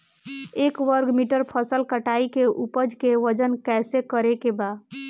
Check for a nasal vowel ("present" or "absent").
absent